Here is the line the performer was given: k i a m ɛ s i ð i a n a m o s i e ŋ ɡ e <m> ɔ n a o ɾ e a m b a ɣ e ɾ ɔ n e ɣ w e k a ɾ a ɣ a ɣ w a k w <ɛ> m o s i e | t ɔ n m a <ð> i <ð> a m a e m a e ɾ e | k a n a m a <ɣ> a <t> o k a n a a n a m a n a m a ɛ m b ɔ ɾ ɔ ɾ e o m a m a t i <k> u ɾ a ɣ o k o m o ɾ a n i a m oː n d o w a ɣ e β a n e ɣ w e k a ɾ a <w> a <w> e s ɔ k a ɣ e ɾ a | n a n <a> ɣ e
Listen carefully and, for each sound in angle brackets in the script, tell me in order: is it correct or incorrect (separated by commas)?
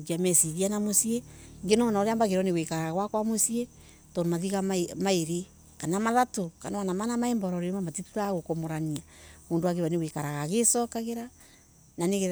incorrect, incorrect, correct, incorrect, incorrect, correct, incorrect, incorrect, incorrect, incorrect